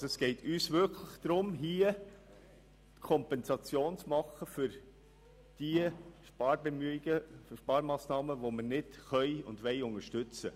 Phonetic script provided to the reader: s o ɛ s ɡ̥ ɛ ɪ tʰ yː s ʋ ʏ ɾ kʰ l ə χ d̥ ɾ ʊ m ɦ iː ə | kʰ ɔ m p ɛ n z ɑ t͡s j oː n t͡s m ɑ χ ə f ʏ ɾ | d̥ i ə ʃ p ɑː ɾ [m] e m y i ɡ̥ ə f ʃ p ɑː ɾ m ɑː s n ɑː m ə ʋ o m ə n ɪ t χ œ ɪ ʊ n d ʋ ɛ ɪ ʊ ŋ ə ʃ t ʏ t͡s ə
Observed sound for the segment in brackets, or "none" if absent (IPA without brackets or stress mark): b